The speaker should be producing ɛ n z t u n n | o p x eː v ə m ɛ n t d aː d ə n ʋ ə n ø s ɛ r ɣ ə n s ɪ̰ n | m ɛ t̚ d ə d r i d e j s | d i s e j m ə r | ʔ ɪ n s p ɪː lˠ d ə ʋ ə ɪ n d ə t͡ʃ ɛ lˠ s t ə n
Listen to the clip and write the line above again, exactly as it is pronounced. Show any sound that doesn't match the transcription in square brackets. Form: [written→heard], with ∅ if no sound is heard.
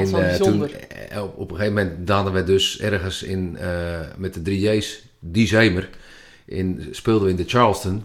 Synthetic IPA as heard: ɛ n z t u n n | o p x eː v ə m ɛ n t d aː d ə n ʋ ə [n→d] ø s ɛ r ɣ ə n s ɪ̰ n | m ɛ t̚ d ə d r i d e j s | d i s e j m ə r | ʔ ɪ n s p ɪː lˠ d ə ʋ ə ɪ n d ə t͡ʃ [ɛ→a] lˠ s t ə n